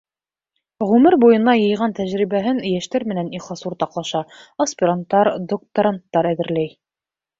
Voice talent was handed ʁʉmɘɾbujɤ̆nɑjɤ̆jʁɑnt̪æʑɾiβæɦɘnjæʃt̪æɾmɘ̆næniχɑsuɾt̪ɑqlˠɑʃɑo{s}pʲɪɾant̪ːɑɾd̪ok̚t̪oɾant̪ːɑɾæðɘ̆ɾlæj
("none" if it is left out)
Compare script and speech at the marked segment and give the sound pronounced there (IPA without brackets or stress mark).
s